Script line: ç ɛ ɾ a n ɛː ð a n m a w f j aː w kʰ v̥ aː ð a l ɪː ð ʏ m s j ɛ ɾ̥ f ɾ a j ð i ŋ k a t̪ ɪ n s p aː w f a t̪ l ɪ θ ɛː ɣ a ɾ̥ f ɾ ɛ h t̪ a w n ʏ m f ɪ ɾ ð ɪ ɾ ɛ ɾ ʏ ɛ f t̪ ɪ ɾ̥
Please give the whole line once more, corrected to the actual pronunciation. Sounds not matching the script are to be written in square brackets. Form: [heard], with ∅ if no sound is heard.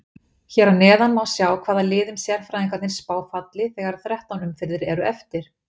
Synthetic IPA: ç ɛ ɾ a n ɛː ð a n m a w [s] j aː w kʰ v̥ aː ð a l ɪː ð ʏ m s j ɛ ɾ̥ f ɾ a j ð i ŋ k a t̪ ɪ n s p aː w f a t̪ l ɪ θ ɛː ɣ a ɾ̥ [θ] ɾ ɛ h t̪ a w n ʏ m f ɪ ɾ ð ɪ ɾ ɛ ɾ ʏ ɛ f t̪ ɪ ɾ̥